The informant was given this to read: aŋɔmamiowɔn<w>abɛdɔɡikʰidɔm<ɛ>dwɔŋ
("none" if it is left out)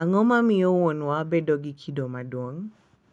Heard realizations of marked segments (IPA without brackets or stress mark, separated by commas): w, a